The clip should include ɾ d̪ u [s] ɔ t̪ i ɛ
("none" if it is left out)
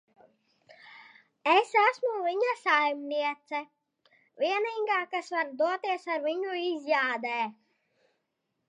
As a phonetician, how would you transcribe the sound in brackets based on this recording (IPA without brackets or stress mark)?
none